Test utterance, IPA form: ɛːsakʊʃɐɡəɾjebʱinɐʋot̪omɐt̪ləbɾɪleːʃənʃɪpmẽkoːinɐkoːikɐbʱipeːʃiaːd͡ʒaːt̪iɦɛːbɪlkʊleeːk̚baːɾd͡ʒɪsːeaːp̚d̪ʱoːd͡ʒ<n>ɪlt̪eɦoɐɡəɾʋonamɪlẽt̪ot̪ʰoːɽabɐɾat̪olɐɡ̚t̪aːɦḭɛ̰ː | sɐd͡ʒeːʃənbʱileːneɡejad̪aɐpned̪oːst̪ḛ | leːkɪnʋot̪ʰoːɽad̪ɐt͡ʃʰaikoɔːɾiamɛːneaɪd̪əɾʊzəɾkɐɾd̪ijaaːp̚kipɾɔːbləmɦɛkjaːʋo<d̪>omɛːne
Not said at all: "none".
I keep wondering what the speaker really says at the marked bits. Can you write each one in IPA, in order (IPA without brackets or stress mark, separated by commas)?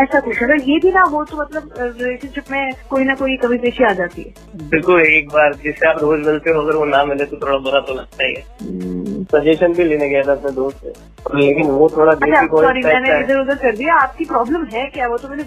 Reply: m, t̪